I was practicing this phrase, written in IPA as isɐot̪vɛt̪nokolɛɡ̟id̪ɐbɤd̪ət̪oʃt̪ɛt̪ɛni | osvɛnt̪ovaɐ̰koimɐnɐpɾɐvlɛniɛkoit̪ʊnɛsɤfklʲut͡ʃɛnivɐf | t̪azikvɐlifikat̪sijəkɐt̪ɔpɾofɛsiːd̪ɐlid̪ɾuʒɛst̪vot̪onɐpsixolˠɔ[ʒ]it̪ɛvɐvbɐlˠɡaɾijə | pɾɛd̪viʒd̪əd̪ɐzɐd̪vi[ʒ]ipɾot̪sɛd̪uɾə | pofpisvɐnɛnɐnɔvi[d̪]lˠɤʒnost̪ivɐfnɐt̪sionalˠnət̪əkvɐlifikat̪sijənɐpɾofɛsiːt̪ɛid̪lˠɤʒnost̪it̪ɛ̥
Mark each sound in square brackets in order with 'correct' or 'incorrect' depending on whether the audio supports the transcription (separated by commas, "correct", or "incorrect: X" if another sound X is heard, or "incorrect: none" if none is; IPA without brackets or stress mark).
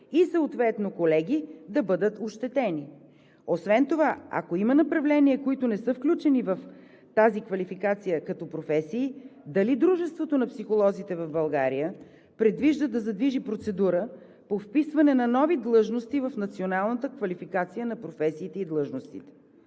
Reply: incorrect: z, correct, correct